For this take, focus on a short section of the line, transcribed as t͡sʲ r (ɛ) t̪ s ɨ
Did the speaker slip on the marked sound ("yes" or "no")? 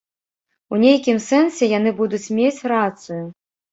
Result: yes